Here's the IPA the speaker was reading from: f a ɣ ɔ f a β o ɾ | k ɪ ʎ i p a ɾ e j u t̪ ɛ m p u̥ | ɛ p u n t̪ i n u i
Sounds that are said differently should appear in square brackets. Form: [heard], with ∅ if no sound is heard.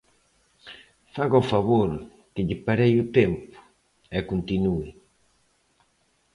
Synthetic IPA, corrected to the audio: f a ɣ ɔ f a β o ɾ | k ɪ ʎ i p a ɾ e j u t̪ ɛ m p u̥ | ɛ [k] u n t̪ i n u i